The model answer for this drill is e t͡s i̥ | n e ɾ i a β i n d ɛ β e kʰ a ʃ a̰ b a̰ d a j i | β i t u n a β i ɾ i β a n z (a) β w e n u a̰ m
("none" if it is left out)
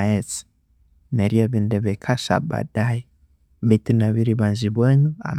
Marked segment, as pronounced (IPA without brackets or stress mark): i